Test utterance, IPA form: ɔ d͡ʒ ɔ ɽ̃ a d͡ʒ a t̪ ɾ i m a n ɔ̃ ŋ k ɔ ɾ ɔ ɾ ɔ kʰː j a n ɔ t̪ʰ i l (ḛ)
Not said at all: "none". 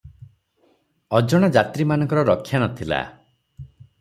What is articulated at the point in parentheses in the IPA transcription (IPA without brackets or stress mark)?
a̰